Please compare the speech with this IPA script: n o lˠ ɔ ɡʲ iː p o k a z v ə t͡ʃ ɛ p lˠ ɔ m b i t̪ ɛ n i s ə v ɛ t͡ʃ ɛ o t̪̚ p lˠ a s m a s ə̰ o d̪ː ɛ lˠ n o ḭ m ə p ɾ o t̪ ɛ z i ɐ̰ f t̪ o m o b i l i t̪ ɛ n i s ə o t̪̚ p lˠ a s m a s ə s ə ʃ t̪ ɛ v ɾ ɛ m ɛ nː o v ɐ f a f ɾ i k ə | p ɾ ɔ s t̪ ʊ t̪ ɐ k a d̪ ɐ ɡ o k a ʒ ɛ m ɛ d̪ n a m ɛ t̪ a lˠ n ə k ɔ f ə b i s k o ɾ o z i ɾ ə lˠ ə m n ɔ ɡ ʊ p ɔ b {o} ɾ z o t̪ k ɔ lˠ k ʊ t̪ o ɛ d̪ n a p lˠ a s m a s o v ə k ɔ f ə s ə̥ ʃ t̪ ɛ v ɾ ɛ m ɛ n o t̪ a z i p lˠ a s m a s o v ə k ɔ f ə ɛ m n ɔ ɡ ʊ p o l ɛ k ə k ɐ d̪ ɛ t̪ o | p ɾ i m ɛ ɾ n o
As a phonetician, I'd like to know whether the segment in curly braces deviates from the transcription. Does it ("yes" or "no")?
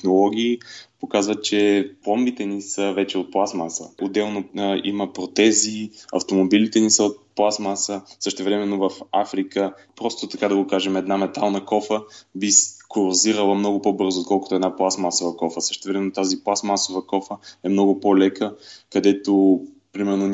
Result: yes